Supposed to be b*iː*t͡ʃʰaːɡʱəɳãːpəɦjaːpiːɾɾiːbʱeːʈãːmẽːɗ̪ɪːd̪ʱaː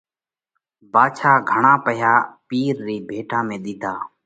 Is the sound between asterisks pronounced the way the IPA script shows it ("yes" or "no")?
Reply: no